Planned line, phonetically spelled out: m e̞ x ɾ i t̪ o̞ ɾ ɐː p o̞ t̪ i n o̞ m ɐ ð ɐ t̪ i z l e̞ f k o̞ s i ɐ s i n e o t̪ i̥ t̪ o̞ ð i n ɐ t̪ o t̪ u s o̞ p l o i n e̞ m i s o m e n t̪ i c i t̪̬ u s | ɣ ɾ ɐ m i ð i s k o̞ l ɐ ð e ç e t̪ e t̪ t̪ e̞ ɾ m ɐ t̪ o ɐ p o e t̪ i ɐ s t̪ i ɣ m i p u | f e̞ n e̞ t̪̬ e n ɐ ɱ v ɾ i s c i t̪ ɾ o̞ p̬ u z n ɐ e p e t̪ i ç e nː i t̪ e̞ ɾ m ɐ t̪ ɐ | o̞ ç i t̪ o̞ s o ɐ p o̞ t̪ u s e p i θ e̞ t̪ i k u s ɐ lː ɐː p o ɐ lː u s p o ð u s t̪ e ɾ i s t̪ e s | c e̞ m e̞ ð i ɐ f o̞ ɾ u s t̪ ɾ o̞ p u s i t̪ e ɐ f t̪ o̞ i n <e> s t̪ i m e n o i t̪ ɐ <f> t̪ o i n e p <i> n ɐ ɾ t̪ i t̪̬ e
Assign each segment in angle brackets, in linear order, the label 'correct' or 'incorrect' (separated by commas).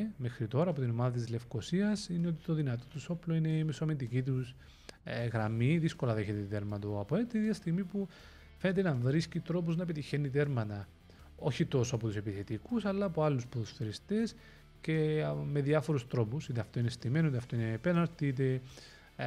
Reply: correct, correct, incorrect